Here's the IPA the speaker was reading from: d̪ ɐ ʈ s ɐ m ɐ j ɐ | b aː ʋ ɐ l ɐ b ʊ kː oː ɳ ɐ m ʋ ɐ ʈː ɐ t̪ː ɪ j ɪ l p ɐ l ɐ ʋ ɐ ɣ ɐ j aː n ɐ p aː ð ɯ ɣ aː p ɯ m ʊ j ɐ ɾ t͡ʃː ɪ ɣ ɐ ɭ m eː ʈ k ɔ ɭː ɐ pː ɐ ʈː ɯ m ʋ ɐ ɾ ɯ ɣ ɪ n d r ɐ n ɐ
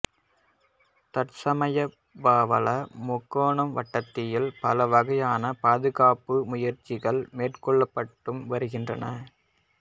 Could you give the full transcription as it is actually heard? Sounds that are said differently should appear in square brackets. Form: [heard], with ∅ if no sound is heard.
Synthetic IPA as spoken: [t̪] ɐ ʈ s ɐ m ɐ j ɐ | b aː ʋ ɐ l ɐ [m] ʊ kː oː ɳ ɐ m ʋ ɐ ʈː ɐ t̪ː ɪ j ɪ l p ɐ l ɐ ʋ ɐ ɣ ɐ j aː n ɐ p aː ð ɯ ɣ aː p ɯ m ʊ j ɐ ɾ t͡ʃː ɪ ɣ ɐ ɭ m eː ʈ k ɔ ɭː ɐ pː ɐ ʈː ɯ m ʋ ɐ ɾ ɯ ɣ ɪ n d r ɐ n ɐ